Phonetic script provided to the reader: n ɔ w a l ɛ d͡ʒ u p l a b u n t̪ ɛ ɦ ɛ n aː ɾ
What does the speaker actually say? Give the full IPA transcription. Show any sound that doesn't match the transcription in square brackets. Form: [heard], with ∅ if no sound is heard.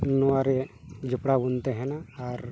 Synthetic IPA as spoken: n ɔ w a [ɾ] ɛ d͡ʒ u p [ɽ] a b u n t̪ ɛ ɦ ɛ n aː ɾ

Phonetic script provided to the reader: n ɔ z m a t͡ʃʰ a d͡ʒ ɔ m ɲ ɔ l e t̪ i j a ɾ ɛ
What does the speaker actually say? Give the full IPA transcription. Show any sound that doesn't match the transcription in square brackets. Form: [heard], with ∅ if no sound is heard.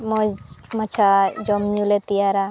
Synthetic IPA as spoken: [m] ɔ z m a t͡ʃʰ a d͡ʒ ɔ m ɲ [u] l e t̪ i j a ɾ [a]

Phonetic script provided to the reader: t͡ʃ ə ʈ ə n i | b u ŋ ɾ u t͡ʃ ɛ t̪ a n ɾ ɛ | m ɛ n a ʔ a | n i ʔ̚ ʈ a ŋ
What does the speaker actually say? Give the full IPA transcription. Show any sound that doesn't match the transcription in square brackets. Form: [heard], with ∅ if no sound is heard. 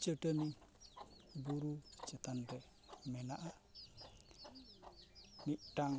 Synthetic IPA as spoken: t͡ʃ ə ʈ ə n i | b u [∅] ɾ u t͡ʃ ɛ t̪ a n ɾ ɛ | m ɛ n a ʔ a | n i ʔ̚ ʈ a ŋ

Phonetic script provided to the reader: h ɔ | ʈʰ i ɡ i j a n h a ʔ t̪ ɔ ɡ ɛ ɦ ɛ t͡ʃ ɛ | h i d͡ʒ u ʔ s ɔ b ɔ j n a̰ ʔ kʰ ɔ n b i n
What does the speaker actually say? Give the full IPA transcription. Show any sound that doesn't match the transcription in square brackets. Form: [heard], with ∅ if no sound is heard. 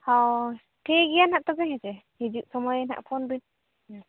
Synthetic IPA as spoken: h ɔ | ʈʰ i ɡ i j a n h a ʔ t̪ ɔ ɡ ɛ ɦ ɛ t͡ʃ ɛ | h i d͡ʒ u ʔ s ɔ [m] ɔ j n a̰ ʔ [pʰ] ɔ n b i n

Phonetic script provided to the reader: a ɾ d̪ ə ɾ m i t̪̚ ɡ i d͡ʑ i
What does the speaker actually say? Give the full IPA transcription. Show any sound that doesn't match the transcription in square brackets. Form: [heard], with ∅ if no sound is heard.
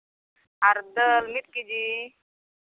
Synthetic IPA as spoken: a ɾ d̪ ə [l] m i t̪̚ [k] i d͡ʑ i

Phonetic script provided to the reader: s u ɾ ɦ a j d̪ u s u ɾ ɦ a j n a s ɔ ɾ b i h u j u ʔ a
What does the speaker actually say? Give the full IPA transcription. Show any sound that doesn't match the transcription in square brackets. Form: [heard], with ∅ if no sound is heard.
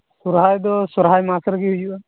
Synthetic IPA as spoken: s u ɾ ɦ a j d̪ [ɔ] s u ɾ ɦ a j [m] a s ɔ ɾ [ɡ] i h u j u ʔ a

